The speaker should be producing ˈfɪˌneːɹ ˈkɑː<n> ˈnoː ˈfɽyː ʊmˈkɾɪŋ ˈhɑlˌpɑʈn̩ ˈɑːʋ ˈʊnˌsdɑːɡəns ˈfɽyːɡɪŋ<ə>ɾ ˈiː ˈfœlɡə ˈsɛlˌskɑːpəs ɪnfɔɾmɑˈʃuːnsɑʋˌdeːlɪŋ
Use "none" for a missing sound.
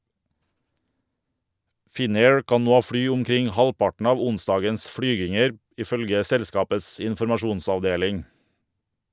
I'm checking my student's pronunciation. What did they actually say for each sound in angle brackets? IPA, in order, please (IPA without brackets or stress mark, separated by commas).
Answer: n, ə